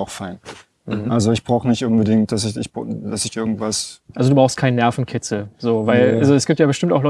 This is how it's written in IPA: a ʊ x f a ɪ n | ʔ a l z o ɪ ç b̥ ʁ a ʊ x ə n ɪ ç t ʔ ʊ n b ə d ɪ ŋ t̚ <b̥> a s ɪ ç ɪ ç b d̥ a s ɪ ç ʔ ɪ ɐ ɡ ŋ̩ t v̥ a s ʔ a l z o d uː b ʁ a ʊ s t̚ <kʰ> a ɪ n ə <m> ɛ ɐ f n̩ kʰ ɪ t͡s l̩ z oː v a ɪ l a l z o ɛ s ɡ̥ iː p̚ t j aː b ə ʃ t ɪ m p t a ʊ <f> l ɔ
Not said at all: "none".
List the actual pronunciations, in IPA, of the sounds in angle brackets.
d̥, kʰ, n, x

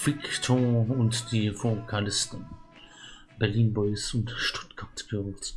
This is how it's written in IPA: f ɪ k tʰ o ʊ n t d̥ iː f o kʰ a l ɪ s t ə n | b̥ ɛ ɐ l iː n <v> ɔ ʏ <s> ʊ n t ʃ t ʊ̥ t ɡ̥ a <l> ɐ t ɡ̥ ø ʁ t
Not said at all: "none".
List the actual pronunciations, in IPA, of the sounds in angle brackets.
b, s, none

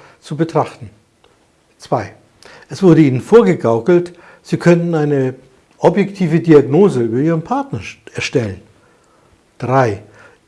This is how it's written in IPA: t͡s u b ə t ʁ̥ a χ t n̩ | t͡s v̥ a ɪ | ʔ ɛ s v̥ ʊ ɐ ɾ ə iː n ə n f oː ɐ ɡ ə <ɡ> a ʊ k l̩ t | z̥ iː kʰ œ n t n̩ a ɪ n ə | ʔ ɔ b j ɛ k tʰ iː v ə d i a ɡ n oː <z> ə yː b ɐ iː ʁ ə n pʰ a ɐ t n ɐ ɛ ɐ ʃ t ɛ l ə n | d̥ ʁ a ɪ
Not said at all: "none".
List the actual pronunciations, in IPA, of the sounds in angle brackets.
ɡ, z

